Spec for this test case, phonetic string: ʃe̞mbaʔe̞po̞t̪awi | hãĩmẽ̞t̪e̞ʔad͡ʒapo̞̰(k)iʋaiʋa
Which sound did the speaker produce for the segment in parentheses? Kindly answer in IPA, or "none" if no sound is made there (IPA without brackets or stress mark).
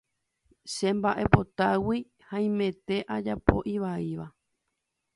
ʔ